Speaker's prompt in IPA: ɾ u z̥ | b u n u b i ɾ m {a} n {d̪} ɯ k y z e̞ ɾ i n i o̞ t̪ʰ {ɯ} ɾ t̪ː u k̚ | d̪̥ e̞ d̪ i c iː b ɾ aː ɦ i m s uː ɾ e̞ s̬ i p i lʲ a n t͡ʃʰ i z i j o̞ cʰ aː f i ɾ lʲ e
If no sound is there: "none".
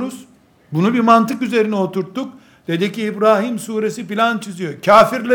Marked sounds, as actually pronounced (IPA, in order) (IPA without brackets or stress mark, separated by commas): a, t̪, u